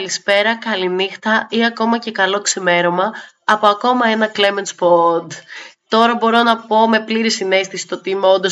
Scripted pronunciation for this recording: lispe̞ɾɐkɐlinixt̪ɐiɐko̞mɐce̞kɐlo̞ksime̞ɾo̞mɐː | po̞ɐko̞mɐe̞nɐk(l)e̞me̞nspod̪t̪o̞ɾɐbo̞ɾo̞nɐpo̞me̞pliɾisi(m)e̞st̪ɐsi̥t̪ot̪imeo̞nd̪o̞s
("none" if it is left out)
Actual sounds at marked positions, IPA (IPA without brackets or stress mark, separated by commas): l, n